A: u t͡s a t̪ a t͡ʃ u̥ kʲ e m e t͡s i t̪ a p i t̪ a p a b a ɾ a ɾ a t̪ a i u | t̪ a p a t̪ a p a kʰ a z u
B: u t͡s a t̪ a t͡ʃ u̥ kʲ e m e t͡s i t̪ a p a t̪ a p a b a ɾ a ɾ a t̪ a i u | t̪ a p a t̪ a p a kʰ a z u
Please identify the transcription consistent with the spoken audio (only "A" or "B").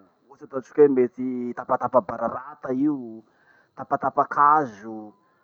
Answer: B